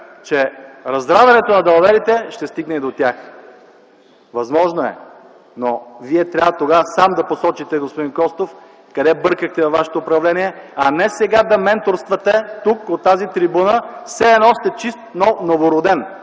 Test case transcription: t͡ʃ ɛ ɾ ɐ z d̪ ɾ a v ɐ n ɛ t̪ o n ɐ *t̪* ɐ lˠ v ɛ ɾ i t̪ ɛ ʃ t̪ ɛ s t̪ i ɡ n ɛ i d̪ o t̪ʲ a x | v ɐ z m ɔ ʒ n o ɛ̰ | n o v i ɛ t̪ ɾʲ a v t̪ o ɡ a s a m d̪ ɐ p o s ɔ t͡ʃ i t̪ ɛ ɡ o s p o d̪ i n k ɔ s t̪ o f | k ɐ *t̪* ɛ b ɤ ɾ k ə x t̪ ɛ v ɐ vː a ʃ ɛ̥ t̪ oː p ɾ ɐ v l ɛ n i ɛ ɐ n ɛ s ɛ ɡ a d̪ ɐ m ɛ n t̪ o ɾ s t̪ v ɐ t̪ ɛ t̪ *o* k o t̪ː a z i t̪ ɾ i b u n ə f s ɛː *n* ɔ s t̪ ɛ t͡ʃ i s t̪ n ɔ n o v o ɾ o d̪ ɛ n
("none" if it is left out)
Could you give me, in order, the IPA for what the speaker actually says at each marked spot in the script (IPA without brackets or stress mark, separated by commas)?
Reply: d̪, d̪, u, n